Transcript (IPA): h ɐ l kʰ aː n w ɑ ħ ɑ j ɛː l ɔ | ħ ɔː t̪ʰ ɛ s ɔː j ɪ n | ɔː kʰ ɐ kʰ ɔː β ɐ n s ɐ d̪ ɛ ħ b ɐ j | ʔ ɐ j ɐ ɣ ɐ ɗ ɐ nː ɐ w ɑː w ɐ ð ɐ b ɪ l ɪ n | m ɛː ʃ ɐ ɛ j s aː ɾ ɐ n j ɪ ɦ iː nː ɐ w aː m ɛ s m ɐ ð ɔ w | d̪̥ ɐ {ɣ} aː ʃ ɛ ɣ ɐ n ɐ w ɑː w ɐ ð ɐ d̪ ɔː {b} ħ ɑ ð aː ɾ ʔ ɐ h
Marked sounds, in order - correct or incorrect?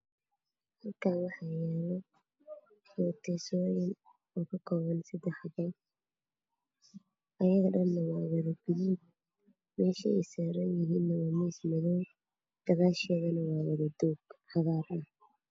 correct, incorrect

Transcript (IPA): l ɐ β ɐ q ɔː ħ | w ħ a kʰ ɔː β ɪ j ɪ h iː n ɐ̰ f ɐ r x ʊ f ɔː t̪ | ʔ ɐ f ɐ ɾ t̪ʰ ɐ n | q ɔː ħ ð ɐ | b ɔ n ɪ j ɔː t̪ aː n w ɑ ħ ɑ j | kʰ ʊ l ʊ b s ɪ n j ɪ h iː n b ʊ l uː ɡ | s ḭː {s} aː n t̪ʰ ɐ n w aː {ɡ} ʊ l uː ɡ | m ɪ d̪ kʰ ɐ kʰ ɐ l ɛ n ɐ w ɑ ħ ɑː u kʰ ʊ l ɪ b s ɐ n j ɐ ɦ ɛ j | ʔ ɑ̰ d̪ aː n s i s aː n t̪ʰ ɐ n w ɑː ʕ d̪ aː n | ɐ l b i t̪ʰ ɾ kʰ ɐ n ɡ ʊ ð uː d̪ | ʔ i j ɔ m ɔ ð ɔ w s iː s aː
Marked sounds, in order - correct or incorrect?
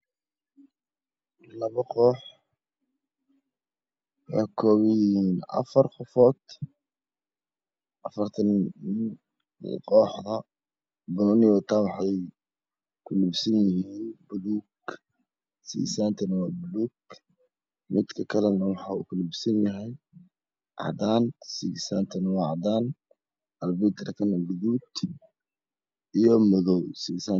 correct, incorrect

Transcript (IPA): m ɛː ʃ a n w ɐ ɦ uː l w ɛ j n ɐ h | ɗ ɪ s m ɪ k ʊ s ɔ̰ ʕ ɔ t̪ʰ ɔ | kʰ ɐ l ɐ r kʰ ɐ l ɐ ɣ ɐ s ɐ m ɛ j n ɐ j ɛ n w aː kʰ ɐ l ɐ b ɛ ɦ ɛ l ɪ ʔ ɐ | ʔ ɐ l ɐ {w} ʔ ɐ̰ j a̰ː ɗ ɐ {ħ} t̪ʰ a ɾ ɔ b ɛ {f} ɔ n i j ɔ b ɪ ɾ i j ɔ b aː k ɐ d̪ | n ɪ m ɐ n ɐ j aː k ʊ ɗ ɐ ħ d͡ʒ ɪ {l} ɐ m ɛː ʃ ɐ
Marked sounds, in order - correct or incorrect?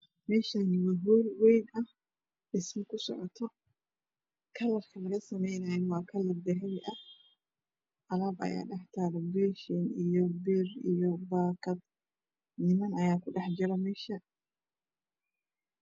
incorrect, correct, incorrect, incorrect

